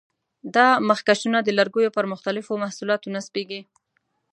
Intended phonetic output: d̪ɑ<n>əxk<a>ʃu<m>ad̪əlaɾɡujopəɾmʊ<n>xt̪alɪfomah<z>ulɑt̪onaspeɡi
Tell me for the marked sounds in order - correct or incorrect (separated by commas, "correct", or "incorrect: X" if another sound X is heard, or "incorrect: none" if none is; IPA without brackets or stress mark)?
incorrect: m, correct, incorrect: n, incorrect: none, incorrect: s